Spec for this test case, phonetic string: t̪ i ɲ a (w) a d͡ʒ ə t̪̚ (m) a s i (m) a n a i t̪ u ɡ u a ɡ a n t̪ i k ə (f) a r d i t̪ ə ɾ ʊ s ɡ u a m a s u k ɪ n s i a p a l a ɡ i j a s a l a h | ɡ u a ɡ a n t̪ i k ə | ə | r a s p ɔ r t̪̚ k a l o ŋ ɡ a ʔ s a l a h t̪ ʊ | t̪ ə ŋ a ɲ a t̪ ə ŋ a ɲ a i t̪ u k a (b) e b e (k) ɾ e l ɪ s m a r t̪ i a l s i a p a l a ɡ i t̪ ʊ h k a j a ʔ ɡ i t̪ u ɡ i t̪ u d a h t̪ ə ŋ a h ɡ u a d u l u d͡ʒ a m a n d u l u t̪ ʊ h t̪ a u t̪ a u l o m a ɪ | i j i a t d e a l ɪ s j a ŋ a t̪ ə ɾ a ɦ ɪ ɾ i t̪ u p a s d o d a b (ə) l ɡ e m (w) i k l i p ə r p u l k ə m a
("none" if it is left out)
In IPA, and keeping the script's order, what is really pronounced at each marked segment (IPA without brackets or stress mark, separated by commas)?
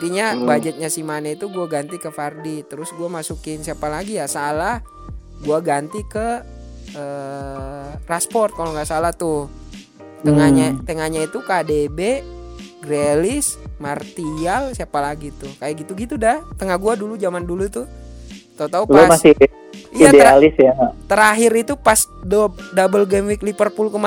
b, ɲ, m, f, d, ɡ, ə, w